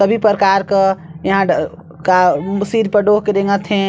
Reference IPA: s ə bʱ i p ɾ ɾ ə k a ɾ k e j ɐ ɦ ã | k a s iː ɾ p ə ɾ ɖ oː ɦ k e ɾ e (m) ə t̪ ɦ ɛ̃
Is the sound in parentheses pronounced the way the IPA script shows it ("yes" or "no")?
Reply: no